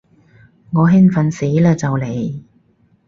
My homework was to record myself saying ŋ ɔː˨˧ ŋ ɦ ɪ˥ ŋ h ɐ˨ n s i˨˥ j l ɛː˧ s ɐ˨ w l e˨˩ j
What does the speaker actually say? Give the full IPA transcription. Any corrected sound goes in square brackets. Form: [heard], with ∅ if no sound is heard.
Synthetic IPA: ŋ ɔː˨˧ [∅] ɦ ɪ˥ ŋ [f] ɐ˨ n s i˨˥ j l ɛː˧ [t͡s] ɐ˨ w l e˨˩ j